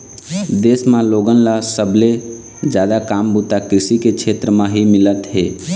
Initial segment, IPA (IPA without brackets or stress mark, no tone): d̪